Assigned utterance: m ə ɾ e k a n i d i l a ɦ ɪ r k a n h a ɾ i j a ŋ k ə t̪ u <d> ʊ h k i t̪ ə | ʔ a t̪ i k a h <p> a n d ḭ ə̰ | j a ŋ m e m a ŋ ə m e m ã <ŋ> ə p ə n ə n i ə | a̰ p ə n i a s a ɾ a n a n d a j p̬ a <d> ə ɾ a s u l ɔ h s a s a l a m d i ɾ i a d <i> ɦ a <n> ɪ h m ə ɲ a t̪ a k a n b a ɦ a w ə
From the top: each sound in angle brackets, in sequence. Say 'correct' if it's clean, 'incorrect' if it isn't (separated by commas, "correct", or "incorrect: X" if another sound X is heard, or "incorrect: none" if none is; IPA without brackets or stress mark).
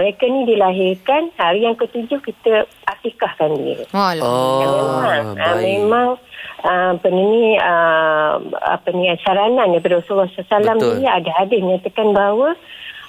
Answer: incorrect: d͡ʒ, incorrect: k, correct, correct, incorrect: a, incorrect: d